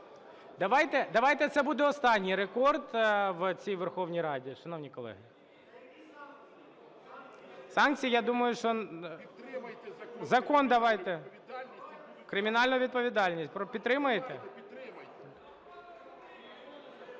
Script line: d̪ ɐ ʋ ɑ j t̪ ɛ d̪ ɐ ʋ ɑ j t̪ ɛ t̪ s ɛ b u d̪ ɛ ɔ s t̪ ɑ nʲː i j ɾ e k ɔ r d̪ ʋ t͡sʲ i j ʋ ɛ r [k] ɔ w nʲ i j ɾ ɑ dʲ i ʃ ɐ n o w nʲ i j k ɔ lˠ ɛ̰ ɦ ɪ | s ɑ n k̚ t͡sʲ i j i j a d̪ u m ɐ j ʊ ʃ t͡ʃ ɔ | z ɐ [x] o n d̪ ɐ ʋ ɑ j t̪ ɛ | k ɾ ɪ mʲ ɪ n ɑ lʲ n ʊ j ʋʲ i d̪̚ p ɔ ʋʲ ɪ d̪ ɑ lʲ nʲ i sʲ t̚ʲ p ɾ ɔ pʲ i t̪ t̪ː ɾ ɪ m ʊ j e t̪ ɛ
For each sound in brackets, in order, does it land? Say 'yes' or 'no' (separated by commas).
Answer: no, no